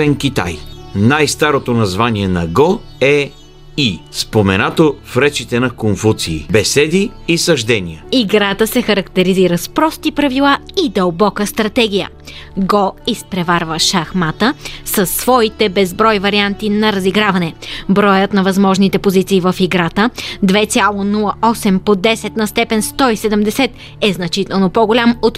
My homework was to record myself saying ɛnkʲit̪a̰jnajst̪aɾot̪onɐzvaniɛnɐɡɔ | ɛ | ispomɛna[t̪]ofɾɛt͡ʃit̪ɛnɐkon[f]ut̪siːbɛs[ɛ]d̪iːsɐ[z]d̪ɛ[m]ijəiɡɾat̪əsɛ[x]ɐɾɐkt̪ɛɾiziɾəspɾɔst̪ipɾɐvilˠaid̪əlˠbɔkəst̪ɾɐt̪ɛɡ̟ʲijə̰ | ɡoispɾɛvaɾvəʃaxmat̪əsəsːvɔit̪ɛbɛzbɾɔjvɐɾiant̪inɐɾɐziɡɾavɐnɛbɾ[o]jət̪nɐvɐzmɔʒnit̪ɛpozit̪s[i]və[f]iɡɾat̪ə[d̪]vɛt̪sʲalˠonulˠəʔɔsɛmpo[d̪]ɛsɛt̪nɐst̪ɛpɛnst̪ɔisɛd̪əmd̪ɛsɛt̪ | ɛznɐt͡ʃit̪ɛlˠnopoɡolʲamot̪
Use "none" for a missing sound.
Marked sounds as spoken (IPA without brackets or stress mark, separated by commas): t̪, f, ɛ, ʒ, n, x, ɔ, iː, f, d̪, d̪